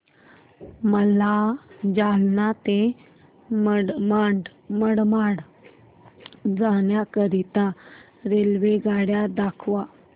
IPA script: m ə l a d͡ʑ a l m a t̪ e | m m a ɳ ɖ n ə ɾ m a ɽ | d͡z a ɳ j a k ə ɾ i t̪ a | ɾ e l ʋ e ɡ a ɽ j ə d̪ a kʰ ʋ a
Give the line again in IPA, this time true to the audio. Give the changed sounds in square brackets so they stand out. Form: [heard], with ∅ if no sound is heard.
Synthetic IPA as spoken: m ə l a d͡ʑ a l [n] a t̪ e | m m a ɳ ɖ [m] ə [ɽ] m a ɽ | d͡z a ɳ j a k ə ɾ i t̪ a | ɾ e l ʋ e ɡ a ɽ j [a] d̪ a kʰ ʋ a